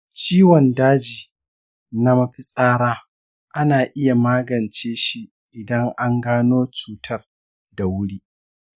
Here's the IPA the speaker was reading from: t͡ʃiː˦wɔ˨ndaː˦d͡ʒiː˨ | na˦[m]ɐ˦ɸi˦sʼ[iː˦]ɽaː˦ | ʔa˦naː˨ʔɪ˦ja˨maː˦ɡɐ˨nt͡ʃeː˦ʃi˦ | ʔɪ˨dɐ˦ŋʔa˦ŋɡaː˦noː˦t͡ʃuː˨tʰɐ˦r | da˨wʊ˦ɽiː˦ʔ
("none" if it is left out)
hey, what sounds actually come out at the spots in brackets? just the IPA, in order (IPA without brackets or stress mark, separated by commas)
m, aː˦